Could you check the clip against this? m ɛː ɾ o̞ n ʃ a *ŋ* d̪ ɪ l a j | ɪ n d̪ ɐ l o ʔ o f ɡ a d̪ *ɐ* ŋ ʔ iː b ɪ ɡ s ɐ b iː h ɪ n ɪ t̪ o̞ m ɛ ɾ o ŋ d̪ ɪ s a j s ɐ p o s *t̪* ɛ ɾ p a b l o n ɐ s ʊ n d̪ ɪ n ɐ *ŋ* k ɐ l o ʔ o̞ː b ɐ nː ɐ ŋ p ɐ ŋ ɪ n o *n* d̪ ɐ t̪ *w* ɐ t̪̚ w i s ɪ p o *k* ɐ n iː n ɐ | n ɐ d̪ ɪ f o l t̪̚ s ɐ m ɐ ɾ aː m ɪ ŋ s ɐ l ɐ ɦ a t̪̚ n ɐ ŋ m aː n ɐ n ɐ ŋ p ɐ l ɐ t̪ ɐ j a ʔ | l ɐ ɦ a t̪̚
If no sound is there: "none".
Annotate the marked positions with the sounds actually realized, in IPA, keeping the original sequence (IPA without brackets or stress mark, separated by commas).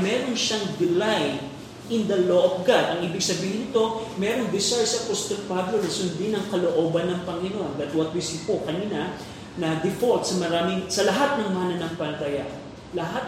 ŋ, ɐ, t̪, ŋ, n, w, k